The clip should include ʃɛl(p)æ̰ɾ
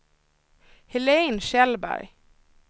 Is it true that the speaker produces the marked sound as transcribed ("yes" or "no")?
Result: no